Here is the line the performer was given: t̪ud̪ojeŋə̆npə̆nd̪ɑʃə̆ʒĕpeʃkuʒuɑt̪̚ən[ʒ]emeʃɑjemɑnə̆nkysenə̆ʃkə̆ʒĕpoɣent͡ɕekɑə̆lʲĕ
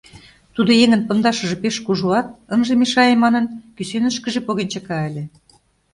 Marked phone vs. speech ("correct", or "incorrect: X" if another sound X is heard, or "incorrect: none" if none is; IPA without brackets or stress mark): correct